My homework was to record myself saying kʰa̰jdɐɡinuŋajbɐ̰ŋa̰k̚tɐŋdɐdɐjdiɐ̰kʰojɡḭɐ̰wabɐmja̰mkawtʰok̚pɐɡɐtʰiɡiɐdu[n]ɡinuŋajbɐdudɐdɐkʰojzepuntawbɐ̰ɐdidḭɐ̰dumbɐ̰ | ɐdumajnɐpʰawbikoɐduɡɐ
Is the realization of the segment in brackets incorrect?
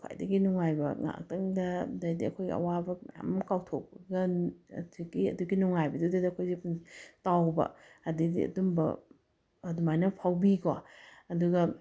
yes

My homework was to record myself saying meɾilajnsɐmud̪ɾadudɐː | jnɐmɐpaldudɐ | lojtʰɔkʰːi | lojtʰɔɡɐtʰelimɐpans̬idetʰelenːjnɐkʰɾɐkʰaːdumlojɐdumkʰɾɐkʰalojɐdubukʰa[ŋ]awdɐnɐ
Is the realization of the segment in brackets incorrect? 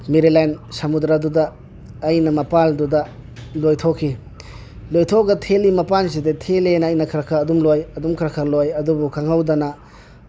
no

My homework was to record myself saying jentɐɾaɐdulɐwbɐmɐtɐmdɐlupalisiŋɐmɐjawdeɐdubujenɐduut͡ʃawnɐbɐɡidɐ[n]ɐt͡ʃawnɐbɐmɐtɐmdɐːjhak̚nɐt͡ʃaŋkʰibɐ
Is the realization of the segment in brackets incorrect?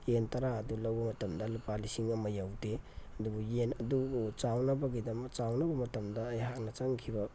yes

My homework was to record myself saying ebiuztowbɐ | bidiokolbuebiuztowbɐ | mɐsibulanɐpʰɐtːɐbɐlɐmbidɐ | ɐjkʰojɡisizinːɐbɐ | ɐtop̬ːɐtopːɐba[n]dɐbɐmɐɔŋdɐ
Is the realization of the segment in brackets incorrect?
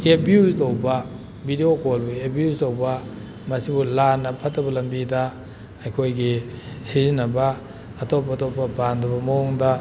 no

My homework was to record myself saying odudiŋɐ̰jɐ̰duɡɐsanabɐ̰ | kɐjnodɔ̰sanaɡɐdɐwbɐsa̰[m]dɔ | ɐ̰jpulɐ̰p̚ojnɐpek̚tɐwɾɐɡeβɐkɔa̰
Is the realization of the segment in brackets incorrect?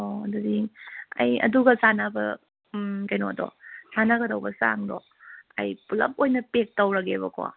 yes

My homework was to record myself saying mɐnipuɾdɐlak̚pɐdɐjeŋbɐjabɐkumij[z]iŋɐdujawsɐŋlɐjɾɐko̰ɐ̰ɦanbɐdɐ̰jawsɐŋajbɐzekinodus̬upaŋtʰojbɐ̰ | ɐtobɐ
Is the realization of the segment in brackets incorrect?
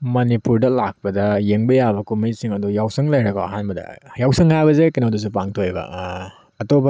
yes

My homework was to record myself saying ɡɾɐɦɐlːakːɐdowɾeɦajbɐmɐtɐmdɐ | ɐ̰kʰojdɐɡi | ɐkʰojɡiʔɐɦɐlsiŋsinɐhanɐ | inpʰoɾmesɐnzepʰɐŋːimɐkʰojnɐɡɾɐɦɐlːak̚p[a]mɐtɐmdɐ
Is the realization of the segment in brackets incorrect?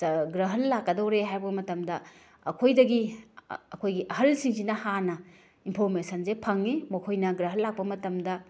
yes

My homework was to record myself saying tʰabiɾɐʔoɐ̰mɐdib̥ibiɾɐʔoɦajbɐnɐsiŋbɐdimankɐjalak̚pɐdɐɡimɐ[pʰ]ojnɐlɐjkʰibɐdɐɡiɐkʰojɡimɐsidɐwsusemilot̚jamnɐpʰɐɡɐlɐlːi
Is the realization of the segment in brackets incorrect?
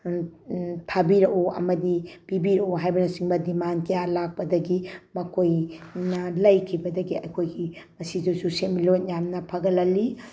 yes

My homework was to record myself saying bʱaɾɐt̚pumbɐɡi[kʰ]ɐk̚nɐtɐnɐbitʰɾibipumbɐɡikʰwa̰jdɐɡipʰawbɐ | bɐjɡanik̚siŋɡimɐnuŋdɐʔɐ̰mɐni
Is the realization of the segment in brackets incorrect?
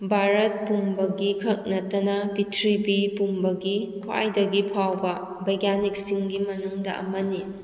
no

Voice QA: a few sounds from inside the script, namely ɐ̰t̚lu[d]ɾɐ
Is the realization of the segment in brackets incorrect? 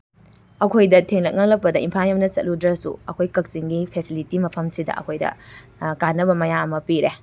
no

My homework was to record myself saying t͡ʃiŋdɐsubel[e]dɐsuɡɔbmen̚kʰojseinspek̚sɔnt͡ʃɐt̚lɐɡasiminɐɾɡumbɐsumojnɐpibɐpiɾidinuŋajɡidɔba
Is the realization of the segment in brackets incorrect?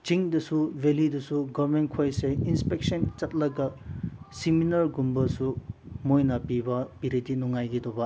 yes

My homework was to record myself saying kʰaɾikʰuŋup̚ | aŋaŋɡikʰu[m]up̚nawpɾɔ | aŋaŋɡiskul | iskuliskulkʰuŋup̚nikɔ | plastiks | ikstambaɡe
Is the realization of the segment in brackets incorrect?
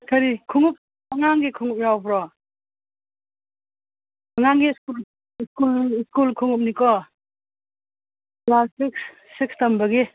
yes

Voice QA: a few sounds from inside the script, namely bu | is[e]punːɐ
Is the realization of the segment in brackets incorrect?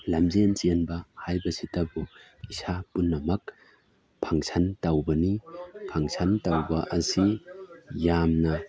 yes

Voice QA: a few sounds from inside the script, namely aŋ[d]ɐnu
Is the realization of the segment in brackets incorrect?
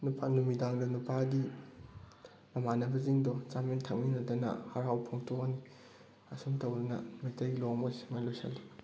no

